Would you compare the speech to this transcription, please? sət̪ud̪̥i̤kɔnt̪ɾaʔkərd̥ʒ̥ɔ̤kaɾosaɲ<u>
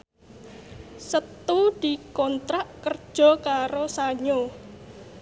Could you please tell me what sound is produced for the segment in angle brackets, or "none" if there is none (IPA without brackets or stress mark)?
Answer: o